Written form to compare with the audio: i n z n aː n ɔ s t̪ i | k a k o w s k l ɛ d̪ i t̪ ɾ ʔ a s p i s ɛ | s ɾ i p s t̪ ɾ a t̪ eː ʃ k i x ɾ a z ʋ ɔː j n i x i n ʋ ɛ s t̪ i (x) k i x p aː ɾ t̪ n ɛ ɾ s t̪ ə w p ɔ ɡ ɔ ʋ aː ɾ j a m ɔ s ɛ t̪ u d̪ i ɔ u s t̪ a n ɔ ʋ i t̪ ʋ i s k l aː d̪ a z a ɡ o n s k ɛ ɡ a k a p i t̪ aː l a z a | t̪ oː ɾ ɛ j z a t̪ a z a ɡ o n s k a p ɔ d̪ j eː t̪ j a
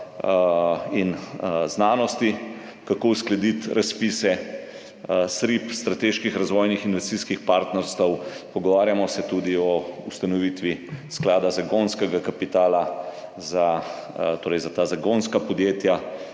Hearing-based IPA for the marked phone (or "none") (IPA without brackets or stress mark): s